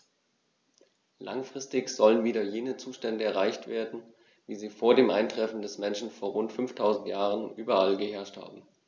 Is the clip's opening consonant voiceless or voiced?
voiced